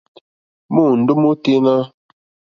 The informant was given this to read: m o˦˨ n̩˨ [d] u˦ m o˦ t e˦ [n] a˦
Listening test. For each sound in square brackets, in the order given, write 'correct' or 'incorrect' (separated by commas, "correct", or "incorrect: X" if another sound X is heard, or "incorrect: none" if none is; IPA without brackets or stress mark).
correct, correct